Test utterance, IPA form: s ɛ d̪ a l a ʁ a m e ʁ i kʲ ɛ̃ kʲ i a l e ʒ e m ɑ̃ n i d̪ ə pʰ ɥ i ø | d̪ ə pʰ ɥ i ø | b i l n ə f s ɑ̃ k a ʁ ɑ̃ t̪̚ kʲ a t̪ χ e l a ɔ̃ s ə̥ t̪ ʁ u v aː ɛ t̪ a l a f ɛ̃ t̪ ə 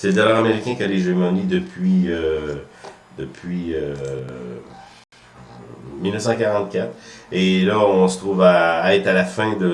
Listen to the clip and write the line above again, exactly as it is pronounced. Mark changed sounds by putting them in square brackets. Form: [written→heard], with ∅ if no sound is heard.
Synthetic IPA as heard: s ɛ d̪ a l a ʁ a m e ʁ i kʲ ɛ̃ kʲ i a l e ʒ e m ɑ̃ n i d̪ ə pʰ ɥ i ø | d̪ ə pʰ ɥ i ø | [b→m] i l n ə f s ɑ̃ k a ʁ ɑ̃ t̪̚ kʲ a t̪ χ e l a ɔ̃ s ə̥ t̪ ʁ u v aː ɛ t̪ a l a f ɛ̃ [t̪→d̪] ə